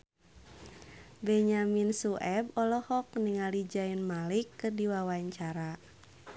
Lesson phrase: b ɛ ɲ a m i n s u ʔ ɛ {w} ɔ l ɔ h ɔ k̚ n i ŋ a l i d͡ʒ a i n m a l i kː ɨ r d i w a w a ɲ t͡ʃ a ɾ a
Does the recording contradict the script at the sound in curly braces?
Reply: yes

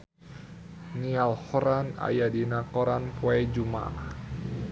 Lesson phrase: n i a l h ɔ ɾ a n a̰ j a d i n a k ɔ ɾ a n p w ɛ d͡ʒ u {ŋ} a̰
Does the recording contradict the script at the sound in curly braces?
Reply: yes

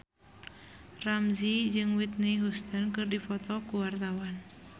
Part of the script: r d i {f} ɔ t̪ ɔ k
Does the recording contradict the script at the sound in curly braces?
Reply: no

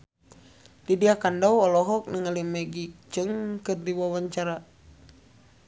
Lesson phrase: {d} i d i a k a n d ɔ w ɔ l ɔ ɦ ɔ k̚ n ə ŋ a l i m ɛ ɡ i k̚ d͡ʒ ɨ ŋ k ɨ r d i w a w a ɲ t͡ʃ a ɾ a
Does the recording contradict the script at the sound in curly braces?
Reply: no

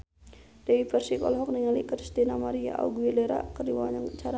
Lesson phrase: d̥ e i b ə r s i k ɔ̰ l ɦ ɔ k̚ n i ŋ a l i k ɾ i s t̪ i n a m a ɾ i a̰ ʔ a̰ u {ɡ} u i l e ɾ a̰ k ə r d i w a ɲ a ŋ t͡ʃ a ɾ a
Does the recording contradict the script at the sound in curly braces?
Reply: no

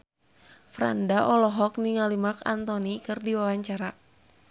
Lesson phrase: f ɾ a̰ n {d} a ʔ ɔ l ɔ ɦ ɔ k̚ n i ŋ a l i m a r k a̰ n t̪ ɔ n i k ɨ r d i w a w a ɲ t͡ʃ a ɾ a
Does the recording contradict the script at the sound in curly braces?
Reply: no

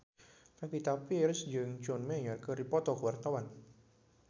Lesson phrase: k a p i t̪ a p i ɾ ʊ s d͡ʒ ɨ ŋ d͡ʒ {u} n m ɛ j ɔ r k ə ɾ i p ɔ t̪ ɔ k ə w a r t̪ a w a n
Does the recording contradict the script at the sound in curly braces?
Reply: yes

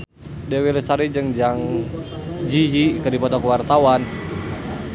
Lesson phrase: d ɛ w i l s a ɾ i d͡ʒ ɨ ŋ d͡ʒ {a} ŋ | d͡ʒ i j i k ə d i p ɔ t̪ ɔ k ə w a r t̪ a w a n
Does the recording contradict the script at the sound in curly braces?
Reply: no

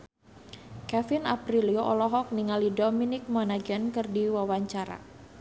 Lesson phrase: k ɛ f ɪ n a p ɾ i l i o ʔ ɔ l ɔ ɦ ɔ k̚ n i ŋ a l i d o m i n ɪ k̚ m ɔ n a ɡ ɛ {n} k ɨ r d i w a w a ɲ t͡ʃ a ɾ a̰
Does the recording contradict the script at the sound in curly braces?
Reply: no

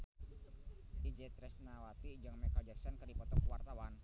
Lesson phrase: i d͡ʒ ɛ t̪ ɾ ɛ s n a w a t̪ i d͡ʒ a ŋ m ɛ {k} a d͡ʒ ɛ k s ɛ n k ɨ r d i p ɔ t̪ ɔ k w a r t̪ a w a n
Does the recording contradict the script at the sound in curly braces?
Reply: no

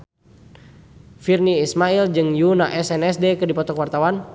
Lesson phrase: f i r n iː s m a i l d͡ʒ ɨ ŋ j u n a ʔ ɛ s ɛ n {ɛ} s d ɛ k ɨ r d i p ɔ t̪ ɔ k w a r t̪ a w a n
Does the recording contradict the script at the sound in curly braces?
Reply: no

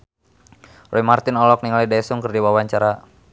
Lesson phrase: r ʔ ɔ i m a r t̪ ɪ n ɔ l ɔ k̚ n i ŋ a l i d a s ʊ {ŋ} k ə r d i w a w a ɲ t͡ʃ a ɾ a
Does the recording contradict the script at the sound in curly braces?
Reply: no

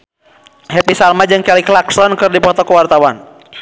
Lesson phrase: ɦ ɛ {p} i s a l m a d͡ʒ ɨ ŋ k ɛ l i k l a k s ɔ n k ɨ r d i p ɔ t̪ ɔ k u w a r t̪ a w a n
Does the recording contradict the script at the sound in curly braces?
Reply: no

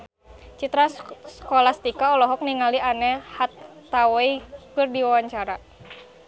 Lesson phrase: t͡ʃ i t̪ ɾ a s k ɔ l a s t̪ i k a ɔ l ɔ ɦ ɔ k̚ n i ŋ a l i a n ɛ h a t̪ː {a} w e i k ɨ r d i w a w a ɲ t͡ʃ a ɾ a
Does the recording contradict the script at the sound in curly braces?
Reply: no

